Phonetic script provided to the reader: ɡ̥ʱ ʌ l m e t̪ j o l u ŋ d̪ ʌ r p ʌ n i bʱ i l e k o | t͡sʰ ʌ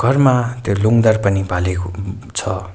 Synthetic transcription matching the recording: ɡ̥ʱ ʌ r m a t̪ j o l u ŋ d̪ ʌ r p ʌ n i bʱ a l e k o | t͡sʰ ʌ